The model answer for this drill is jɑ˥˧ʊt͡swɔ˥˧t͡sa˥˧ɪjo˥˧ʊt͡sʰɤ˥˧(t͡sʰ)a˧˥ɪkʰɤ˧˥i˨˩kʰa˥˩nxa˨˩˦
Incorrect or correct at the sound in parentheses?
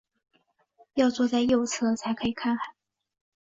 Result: correct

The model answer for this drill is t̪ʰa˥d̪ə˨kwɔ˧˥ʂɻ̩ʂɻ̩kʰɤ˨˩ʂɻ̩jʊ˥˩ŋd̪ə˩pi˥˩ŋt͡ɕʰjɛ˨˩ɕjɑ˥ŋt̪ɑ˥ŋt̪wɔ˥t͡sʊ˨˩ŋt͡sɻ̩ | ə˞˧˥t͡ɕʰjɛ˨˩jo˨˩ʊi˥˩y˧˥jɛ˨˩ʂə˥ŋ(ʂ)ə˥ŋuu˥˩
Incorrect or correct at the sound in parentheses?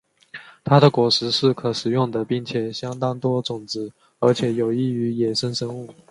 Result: correct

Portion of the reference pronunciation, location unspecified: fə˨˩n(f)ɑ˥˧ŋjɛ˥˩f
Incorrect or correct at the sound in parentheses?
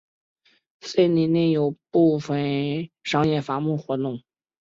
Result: incorrect: ʂ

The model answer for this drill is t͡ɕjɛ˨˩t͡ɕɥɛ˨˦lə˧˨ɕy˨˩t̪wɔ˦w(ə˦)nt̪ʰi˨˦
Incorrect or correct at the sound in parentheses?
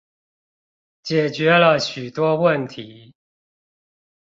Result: incorrect: ə˥˨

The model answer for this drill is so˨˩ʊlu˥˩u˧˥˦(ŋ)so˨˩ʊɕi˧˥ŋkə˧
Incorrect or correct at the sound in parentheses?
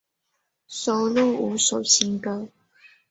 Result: incorrect: none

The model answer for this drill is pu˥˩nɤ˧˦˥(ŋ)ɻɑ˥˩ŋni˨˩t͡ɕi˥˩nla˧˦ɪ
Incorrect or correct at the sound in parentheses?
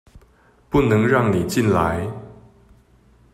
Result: correct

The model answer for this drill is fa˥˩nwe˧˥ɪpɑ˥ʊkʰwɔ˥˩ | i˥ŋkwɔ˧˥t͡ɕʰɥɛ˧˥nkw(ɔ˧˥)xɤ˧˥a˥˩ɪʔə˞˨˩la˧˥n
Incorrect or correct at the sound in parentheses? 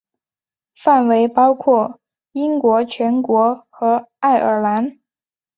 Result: correct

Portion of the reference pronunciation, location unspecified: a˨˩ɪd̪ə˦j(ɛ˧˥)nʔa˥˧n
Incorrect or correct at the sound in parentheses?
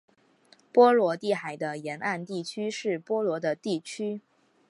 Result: correct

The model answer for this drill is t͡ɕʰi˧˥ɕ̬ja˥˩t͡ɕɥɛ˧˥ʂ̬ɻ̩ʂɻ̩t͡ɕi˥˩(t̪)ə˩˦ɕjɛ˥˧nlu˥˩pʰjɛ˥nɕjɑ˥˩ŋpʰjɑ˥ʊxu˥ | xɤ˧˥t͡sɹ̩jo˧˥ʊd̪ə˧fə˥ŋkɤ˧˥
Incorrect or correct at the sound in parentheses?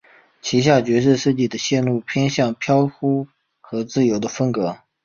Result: incorrect: d̪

